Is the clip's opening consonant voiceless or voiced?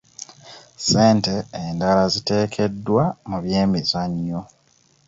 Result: voiceless